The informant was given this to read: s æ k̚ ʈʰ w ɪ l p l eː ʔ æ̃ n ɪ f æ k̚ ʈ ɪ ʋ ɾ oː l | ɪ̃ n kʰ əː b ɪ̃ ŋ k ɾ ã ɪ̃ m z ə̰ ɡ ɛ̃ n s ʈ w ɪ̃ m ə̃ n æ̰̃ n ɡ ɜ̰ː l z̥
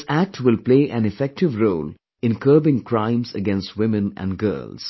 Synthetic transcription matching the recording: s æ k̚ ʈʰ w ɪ l p l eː ʔ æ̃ n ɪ f ɛ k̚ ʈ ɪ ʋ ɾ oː l | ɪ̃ n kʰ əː b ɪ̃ ŋ k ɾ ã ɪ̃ m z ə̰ ɡ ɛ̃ n s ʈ w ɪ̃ m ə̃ n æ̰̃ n ɡ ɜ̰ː l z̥